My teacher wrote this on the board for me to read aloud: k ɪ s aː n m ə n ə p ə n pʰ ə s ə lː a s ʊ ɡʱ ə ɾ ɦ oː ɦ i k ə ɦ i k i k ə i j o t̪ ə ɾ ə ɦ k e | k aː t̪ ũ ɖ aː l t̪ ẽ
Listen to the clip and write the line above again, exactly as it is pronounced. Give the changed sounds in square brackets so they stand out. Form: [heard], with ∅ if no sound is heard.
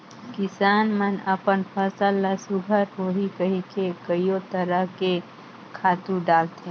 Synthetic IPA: k ɪ s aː n m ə n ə p ə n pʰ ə s ə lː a s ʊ ɡʱ ə ɾ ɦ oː ɦ i k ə ɦ i k [e] k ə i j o t̪ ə ɾ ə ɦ k e | [kʰ] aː t̪ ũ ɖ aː l t̪ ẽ